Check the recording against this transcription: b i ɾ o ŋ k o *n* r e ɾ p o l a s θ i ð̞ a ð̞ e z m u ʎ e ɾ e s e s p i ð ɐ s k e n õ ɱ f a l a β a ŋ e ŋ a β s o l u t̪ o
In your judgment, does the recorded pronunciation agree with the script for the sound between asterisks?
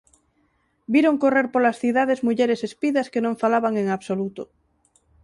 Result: no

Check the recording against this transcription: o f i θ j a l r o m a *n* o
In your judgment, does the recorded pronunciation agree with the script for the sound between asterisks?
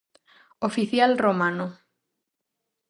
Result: yes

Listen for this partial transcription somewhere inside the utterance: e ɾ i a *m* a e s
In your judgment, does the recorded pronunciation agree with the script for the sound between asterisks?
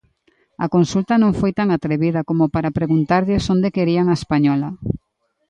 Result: no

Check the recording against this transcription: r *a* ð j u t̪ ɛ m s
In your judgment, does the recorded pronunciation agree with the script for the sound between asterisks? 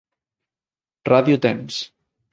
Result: yes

